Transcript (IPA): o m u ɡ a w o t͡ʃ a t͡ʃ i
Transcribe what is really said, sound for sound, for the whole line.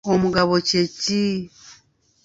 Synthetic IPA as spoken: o m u ɡ a β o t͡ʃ e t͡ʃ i